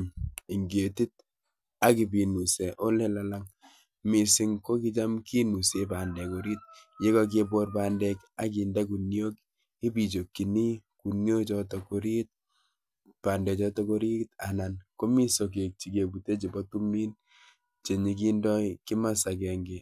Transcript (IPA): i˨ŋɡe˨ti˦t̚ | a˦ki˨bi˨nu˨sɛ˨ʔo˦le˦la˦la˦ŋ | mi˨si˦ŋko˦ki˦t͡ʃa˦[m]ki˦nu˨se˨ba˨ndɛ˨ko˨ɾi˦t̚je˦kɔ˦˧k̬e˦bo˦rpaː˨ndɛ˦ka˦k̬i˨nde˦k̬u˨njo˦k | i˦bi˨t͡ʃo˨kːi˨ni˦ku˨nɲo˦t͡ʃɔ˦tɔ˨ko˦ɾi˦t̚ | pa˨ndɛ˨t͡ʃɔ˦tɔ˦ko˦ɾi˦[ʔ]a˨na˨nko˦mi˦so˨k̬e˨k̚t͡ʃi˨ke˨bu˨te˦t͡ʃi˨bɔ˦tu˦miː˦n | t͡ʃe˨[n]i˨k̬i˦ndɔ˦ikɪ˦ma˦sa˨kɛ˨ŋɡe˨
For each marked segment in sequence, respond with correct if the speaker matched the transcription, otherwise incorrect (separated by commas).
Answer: correct, incorrect, incorrect